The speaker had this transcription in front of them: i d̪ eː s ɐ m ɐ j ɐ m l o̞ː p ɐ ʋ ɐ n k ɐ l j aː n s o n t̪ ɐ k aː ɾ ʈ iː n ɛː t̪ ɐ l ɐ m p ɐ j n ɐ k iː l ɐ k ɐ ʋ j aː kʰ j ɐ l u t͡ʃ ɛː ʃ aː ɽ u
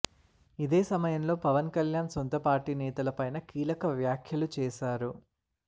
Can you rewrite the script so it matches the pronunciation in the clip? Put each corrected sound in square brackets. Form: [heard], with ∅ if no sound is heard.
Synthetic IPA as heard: i d̪ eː s ɐ m ɐ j ɐ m l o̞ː p ɐ ʋ ɐ n k ɐ l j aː n s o n t̪ ɐ [p] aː ɾ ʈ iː n ɛː t̪ ɐ l ɐ [∅] p ɐ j n ɐ k iː l ɐ k ɐ ʋ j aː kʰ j ɐ l u t͡ʃ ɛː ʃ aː [ɾ] u